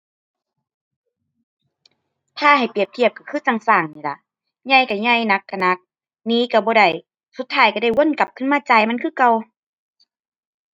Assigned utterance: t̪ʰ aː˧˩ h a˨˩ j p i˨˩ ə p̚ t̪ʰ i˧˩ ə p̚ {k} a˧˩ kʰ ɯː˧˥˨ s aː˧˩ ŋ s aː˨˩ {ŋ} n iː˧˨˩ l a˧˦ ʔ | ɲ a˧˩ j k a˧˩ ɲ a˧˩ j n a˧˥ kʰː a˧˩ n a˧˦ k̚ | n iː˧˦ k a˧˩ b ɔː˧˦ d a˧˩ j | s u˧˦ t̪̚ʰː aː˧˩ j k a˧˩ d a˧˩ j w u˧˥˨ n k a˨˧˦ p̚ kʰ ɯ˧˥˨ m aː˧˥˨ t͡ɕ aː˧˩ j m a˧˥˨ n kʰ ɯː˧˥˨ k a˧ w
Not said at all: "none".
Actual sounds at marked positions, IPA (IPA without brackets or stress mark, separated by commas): k, ŋ